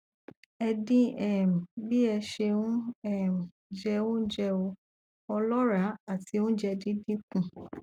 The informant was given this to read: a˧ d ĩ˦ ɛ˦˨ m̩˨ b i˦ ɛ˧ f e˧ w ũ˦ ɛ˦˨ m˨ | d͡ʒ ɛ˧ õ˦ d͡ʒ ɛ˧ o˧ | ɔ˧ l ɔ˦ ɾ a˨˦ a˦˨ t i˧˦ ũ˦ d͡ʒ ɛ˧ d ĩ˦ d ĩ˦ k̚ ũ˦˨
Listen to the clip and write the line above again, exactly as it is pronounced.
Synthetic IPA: ɛ˧ d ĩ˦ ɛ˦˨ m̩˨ b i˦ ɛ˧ ʃ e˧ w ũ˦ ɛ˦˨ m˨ | d͡ʒ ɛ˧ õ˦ d͡ʒ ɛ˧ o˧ | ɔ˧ l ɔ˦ ɾ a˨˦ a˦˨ t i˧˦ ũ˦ d͡ʒ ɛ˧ d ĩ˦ d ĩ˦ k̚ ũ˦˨